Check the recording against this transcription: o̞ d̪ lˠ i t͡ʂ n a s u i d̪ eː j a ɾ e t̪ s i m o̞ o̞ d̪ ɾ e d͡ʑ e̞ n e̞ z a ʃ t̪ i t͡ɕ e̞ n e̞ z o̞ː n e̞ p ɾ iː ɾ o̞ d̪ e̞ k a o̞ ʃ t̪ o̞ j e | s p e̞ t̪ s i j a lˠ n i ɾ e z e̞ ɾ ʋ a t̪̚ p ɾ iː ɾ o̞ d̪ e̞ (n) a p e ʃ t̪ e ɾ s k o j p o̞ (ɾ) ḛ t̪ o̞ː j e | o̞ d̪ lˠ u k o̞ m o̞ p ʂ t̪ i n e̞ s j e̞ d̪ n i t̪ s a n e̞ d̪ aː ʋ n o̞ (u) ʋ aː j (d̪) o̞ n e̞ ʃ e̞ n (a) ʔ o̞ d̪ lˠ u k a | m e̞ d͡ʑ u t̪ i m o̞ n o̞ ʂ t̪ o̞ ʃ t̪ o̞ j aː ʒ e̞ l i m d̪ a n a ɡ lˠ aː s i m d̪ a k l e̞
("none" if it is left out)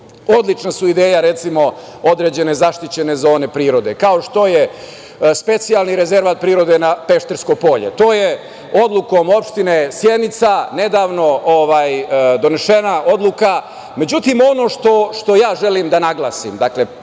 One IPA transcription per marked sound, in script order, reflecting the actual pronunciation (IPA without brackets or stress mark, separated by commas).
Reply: n, ʎ, o, d̪, a